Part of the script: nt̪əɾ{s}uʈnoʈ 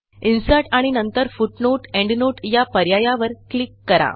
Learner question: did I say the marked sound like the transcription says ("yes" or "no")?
no